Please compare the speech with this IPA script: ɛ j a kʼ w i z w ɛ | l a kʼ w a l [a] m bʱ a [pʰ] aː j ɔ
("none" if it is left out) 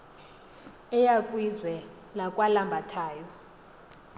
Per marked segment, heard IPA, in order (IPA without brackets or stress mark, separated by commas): a, tʰ